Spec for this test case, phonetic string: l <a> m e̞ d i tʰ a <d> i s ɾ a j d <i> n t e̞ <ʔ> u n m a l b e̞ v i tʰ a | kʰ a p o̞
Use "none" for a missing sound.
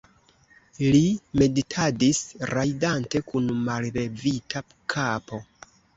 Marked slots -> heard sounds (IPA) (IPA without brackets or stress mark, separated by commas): i, d, a, k